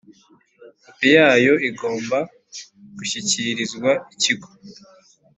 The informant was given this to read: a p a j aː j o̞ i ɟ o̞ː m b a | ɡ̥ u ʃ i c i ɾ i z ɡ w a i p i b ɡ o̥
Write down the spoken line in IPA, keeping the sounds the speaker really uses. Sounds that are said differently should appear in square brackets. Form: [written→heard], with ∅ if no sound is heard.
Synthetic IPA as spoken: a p [a→i] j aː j o̞ i [ɟ→ɡ] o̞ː m b a | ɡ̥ u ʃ i c i ɾ i z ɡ w a i [p→c] i [b→∅] ɡ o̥